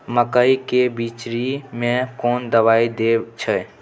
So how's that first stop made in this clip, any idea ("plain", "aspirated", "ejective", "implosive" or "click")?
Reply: plain